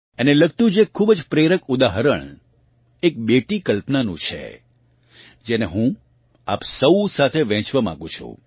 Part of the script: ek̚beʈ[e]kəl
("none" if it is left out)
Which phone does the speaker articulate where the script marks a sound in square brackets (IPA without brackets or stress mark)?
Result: i